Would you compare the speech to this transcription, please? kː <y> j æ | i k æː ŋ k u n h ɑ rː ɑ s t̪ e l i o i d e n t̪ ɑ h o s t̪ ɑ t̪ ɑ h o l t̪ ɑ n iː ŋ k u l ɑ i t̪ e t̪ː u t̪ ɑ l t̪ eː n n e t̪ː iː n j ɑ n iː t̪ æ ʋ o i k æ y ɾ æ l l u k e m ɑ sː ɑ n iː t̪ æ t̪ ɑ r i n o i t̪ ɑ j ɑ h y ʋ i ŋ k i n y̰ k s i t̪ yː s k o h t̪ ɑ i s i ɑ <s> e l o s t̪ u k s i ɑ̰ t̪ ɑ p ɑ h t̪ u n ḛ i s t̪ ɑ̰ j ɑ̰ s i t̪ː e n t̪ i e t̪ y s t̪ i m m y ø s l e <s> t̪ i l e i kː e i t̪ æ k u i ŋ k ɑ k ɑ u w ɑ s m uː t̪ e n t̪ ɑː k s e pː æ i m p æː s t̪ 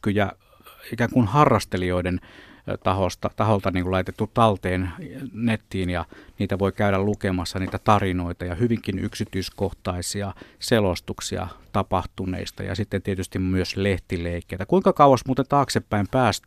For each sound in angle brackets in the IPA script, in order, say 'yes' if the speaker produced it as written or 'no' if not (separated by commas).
yes, yes, no